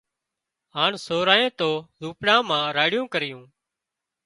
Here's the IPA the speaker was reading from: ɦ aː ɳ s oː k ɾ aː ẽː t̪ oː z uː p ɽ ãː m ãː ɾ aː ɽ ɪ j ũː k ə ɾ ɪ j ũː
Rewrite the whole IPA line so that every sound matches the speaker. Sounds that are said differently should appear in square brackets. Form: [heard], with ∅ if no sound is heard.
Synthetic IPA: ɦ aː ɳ s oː [∅] ɾ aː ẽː t̪ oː z uː p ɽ ãː m ãː ɾ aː ɽ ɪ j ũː k ə ɾ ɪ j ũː